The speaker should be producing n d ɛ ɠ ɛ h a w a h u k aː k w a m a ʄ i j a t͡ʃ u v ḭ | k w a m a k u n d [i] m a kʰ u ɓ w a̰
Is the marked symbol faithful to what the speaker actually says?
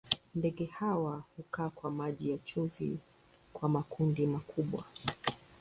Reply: yes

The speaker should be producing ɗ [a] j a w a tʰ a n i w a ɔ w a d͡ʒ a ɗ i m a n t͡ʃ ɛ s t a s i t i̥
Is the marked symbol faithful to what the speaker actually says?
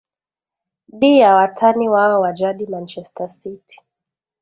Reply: no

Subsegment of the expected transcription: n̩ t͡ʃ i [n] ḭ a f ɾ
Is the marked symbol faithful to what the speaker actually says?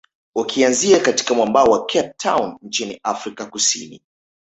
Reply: yes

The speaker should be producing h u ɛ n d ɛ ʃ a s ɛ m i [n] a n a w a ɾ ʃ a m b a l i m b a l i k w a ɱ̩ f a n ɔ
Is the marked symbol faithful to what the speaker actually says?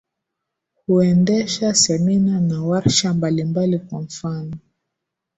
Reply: yes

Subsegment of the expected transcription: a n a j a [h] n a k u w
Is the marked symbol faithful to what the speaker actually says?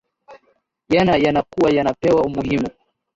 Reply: no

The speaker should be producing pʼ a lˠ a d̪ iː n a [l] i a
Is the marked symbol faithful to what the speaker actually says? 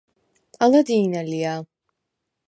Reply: yes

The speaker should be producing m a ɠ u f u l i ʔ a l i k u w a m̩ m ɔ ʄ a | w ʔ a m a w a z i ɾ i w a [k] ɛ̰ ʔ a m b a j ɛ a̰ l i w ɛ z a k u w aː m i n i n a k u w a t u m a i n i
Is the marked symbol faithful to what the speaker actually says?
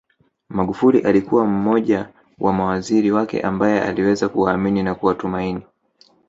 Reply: yes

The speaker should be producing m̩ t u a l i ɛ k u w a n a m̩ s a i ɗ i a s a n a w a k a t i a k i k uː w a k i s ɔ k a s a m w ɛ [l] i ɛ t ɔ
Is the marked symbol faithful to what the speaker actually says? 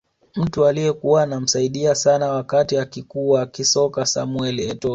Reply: yes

